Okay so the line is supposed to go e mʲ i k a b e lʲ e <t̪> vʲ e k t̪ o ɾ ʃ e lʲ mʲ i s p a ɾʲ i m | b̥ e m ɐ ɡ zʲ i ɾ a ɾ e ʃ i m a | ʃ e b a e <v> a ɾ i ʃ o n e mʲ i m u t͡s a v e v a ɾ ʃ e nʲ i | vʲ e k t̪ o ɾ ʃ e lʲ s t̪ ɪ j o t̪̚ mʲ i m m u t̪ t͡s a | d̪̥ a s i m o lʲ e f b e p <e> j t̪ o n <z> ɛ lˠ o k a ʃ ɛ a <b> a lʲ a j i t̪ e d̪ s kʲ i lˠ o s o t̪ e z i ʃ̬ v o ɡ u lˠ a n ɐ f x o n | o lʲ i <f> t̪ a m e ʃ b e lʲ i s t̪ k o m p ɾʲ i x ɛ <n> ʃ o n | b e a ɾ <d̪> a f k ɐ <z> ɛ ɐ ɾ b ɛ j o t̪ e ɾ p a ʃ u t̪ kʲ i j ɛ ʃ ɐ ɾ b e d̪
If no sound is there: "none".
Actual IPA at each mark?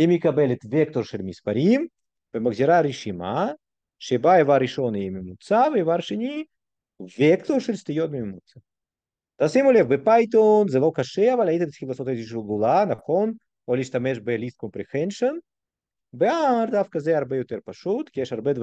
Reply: t̪, v, a, z, v, ʃ, n, d̪, z

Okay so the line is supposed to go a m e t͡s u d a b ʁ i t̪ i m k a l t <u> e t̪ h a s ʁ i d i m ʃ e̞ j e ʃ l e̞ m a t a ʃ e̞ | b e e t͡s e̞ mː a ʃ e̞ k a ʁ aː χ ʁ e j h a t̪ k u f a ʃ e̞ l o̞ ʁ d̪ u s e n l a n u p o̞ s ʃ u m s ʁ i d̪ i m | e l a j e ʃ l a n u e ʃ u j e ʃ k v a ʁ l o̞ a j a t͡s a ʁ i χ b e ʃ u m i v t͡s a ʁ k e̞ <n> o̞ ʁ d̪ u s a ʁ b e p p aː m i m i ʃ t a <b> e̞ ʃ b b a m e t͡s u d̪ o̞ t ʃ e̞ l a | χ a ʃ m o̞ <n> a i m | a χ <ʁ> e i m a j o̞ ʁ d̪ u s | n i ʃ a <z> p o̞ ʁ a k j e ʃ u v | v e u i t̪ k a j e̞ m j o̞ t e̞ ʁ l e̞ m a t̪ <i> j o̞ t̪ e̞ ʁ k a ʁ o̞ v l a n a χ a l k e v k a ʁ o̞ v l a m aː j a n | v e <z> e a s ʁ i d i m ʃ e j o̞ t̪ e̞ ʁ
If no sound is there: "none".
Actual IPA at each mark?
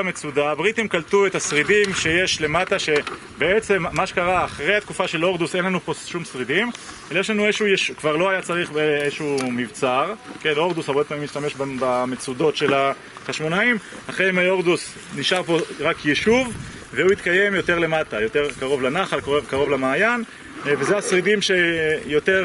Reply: u, n, m, n, ʁ, ʁ, a, z

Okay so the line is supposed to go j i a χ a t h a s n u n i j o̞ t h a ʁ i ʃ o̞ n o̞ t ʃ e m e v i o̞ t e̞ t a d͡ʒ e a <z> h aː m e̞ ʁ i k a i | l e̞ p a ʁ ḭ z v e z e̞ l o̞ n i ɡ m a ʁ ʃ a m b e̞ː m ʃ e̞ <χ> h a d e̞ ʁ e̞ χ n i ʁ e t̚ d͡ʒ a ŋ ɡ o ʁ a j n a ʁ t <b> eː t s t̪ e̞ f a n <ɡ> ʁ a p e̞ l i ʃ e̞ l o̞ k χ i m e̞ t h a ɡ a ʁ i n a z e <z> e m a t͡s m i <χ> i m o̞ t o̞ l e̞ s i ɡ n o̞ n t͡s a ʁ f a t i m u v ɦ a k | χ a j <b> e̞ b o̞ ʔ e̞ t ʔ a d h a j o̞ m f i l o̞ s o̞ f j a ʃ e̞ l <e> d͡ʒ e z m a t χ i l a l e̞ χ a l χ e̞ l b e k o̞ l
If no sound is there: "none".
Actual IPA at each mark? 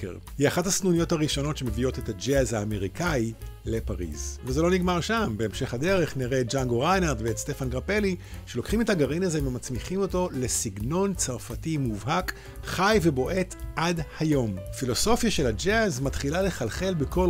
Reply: z, χ, v, ɡ, v, χ, v, a

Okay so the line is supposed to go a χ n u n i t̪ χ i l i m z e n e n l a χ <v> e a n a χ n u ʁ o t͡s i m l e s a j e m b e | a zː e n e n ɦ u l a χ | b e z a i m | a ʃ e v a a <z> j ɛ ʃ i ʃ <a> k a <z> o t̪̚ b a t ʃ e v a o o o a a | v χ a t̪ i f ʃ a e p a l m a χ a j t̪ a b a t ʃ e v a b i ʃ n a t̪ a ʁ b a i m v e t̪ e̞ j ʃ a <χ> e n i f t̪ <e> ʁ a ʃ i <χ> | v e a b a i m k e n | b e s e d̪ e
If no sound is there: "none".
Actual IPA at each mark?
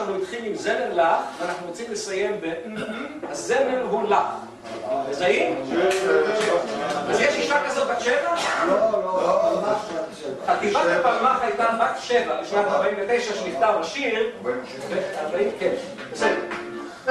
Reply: v, z, a, z, ʃ, a, ʁ

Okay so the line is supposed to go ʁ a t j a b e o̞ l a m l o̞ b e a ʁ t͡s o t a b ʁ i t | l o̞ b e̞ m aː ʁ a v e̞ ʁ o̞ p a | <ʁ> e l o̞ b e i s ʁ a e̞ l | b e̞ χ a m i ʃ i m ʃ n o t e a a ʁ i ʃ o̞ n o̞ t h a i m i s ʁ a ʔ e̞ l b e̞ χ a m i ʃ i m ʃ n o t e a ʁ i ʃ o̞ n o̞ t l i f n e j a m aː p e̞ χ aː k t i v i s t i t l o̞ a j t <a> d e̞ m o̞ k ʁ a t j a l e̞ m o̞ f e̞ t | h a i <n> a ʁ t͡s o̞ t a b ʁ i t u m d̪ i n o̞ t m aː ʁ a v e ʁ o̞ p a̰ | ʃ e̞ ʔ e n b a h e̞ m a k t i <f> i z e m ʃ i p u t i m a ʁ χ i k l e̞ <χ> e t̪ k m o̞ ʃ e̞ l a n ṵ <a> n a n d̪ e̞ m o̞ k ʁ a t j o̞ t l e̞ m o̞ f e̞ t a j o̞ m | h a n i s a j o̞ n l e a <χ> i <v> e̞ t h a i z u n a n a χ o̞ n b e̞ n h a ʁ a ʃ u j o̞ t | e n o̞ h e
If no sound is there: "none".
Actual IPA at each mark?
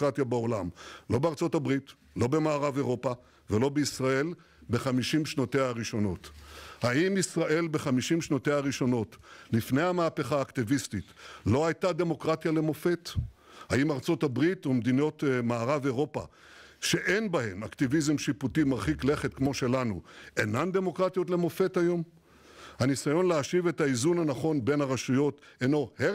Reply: v, a, m, v, χ, e, ʃ, v

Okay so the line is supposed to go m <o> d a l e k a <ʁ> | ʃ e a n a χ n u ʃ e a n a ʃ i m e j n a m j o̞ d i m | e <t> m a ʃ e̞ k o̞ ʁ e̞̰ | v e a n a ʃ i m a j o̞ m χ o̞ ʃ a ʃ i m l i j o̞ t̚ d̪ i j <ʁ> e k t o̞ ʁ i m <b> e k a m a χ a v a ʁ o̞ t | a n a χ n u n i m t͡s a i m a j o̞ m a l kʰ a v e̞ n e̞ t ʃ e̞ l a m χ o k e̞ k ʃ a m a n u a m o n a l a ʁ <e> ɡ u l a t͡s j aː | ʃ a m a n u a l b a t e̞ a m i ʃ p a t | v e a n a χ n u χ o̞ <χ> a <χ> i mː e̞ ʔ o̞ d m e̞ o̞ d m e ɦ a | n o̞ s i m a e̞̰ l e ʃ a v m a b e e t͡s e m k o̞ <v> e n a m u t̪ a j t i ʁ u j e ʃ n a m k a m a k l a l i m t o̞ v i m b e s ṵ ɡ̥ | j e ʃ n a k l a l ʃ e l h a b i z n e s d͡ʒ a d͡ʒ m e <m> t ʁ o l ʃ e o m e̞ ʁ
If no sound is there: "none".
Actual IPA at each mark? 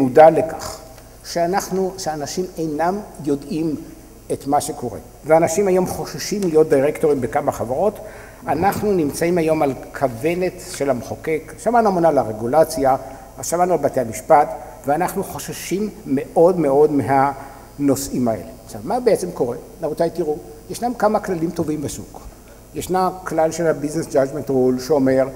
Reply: u, χ, t, ʁ, b, e, ʃ, ʃ, ʁ, n

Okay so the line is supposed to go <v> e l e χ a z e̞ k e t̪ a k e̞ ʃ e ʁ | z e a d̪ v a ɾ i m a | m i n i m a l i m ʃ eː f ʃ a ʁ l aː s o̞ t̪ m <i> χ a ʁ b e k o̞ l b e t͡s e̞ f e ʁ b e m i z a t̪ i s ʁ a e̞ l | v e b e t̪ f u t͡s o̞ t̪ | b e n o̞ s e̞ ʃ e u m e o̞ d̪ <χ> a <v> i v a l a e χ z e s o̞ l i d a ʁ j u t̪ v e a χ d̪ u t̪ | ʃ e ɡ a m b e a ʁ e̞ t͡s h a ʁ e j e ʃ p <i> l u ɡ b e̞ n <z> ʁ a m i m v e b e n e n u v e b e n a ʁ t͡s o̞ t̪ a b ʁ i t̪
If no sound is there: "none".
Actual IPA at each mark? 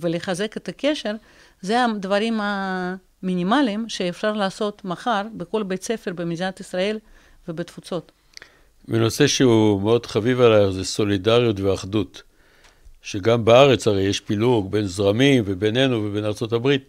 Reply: v, a, χ, v, i, z

